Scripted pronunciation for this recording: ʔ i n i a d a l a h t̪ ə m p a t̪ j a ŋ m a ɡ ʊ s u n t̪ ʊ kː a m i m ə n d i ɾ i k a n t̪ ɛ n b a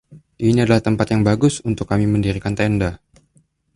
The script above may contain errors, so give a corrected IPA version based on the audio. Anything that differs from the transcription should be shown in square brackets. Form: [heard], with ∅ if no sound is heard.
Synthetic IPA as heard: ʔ i n i a d a l a h t̪ ə m p a t̪ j a ŋ [b] a ɡ ʊ s u n t̪ ʊ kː a m i m ə n d i ɾ i k a n t̪ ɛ n [d] a